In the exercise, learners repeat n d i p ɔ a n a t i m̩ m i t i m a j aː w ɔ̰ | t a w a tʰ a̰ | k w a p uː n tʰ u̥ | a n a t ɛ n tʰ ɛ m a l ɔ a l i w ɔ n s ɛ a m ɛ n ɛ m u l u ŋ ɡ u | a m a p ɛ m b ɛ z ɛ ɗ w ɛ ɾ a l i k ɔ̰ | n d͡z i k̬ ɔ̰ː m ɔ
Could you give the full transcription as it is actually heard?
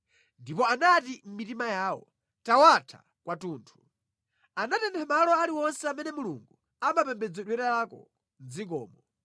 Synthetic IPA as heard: n d i p ɔ a n a t i m̩ m i t i m a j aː w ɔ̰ | t a w a tʰ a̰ | k w a t uː n tʰ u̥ | a n a t ɛ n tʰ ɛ m a l ɔ a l i w ɔ n s ɛ a m ɛ n ɛ m u l u ŋ ɡ u | a m a p ɛ m b ɛ d͡z ɛ ɗ w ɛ ɾ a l a k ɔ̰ | n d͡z i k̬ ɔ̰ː m ɔ